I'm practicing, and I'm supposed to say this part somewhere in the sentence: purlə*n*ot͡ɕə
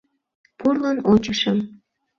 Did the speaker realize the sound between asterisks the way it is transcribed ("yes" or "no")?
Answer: yes